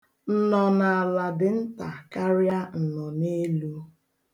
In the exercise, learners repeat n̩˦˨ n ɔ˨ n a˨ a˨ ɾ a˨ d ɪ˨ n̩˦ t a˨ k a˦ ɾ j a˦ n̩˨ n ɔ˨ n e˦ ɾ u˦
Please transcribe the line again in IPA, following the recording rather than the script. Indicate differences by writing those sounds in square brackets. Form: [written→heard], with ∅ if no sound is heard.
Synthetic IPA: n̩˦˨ n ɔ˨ n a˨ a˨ [ɾ→l] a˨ d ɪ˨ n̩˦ t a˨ k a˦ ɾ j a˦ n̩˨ n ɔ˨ n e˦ [ɾ→l] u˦